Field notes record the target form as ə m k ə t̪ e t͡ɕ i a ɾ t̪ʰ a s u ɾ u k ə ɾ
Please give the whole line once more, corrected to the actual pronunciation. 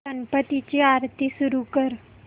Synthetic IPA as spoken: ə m p ə t̪ i t͡ɕ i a ɾ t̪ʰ i s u ɾ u k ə ɾ

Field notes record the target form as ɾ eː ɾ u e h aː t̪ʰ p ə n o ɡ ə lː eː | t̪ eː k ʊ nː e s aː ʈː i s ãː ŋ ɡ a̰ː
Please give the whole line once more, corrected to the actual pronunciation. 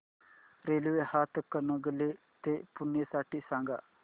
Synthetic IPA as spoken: ɾ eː l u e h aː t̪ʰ k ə n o ɡ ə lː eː | t̪ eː p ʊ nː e s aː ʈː i s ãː ŋ ɡ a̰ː

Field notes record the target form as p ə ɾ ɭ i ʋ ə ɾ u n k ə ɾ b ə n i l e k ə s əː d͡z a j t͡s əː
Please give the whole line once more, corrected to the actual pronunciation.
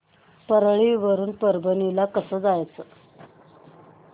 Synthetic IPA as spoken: p ə ɾ ɭ i ʋ ə ɾ uː n p ə ɾ b ə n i l a k ə s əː d͡z a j t͡s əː

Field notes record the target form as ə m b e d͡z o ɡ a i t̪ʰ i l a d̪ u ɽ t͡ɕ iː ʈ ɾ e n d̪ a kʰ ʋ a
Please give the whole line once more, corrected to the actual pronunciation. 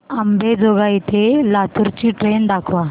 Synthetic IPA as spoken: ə m b e d͡z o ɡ a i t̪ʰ e l a t̪ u ɾ t͡ɕ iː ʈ ɾ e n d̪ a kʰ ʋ a

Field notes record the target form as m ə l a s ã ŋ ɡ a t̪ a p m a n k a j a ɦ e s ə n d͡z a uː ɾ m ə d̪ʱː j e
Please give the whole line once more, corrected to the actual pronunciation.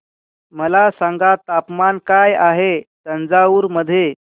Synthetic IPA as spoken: m ə l a s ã ŋ ɡ a t̪ a p m a n k a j a ɦ e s ə n d͡z a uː ɾ m ə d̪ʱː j e

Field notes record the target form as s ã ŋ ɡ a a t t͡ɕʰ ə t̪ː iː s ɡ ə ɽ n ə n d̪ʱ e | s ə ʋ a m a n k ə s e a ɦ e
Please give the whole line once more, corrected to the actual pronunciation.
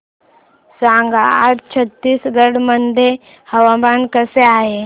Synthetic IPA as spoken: s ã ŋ ɡ a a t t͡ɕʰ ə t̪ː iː s ɡ ə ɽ m ə n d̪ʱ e | h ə ʋ a m a n k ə s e a ɦ e

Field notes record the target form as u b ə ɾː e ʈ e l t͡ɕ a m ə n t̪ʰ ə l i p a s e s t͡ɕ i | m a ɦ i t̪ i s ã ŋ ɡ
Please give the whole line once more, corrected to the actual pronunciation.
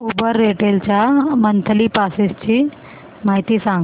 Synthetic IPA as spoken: u b ə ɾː e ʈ e l t͡ɕ a m ə n t̪ʰ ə l i p a s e s t͡ɕ i | m a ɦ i t̪ i s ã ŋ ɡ

